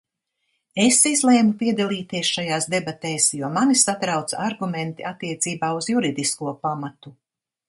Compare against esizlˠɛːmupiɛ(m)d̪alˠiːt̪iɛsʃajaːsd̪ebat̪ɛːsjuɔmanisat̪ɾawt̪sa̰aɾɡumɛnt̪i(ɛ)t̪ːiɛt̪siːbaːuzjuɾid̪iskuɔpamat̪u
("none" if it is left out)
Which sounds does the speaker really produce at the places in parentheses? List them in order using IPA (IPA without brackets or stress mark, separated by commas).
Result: none, a